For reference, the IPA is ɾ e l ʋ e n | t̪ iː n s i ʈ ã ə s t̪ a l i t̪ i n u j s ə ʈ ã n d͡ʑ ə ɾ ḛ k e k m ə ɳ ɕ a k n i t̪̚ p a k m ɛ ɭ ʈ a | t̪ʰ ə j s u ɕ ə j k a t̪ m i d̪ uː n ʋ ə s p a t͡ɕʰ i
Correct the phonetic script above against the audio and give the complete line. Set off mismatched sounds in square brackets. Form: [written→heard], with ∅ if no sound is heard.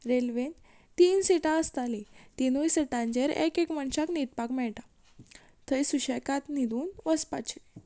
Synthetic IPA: ɾ e l ʋ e n | t̪ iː n s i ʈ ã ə s t̪ a l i t̪ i n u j s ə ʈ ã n d͡ʑ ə ɾ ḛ k e k m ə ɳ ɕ a k n i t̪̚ p a k m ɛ ɭ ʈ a | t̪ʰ ə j s u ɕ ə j k a t̪ [m→n] i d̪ uː n ʋ ə s p a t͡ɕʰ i